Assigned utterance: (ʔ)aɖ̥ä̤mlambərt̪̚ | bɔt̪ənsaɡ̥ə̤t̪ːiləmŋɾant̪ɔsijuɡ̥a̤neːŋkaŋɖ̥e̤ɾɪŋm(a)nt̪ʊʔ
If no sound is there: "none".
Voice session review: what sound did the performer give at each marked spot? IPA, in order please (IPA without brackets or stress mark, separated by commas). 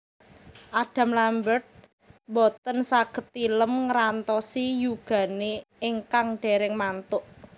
ʔ, a